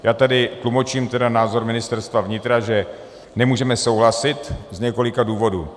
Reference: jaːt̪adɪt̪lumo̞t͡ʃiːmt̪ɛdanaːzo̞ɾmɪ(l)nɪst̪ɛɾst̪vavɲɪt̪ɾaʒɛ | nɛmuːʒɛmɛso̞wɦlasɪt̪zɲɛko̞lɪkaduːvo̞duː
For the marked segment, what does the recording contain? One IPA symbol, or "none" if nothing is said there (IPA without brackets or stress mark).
none